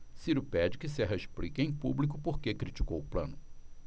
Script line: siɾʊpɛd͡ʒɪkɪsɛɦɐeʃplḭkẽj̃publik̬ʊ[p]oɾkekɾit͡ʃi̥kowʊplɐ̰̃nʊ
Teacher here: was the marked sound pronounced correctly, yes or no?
yes